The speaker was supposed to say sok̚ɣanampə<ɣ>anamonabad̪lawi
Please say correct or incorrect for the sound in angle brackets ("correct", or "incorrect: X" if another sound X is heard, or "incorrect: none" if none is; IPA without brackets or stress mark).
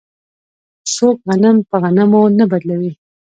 correct